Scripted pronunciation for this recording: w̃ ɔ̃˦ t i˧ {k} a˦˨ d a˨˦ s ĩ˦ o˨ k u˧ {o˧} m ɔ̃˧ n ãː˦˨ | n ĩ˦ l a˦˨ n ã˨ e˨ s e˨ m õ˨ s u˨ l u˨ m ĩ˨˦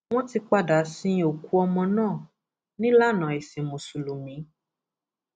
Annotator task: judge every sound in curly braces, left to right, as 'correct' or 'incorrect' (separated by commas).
incorrect, incorrect